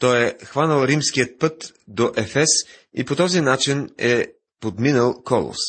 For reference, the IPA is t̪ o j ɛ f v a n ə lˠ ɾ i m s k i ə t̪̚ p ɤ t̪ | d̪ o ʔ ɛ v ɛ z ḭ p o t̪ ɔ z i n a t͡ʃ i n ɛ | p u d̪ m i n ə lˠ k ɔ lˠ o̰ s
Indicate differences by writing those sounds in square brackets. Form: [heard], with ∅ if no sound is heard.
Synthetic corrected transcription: t̪ [ɔ] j ɛ [x] v a n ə lˠ ɾ i m s k i ə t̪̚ p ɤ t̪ | d̪ o ʔ ɛ [f] ɛ [s] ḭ p o t̪ ɔ z i n a t͡ʃ i n ɛ | p [o] d̪ m i n ə lˠ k ɔ lˠ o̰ s